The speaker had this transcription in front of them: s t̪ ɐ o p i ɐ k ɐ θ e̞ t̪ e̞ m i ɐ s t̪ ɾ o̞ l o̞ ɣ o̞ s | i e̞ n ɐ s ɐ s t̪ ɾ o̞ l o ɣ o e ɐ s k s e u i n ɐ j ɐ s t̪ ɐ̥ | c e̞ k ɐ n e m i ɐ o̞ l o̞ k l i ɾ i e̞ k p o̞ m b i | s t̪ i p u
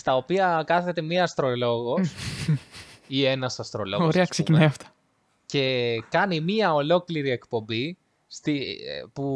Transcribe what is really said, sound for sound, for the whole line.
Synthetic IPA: s t̪ ɐ o p i ɐ k ɐ θ e̞ t̪ e̞ m i ɐ s t̪ ɾ o̞ l o̞ ɣ o̞ s | i e̞ n ɐ s ɐ s t̪ ɾ o̞ l o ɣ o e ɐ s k s e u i n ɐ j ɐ f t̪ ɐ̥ | c e̞ k ɐ n i m i ɐ o̞ l o̞ k l i ɾ i e̞ k p o̞ m b i | s t̪ i p u